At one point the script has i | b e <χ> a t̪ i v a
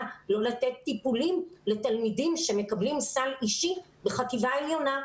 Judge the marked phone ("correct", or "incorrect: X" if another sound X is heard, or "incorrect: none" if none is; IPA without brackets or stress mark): correct